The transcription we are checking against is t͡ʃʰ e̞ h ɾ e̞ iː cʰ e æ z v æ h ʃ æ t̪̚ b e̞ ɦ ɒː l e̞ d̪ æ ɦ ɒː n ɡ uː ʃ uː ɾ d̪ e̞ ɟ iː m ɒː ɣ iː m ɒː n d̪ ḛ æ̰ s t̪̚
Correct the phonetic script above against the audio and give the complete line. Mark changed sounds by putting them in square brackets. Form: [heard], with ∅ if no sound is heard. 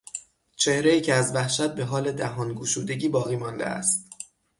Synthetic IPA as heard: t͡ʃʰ e̞ h ɾ e̞ iː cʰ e æ z v æ h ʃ æ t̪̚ b e̞ ɦ ɒː l e̞ d̪ æ ɦ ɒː n ɡ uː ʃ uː [∅] d̪ e̞ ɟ iː [b] ɒː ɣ iː m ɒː n d̪ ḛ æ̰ s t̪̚